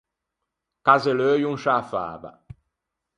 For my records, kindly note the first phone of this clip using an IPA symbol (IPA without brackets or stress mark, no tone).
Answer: k